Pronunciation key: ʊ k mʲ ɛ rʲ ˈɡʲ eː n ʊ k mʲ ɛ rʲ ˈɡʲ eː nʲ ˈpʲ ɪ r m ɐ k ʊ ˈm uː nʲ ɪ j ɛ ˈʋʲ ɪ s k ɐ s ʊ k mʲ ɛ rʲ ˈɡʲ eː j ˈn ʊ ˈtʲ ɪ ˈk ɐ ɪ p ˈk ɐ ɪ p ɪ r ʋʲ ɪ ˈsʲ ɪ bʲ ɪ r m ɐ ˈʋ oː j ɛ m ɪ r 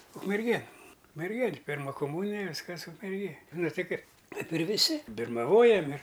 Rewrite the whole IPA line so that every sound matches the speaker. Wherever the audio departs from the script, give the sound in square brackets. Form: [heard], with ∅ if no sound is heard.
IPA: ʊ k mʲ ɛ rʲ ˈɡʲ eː n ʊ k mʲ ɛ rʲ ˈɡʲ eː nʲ ˈpʲ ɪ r m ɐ k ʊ ˈm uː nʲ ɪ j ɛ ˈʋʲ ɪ s k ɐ s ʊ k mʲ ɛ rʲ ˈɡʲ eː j ˈn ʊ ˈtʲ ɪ ˈk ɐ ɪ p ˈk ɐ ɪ p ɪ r ʋʲ ɪ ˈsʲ ɪ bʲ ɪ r m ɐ ˈʋ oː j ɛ m ɪ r